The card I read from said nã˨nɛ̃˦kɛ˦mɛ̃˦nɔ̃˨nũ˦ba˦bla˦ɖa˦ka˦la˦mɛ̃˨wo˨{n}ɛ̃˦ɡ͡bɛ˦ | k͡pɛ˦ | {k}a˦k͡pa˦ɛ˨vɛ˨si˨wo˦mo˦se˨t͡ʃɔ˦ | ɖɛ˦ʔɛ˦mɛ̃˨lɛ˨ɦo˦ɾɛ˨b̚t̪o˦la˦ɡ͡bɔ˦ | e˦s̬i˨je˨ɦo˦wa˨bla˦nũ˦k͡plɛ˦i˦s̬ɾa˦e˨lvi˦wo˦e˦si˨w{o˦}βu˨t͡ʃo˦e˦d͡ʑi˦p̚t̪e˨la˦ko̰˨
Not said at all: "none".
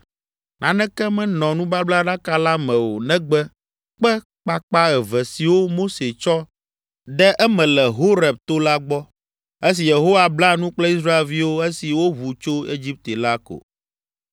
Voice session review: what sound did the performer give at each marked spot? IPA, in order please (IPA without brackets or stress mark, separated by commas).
n, k͡p, o˦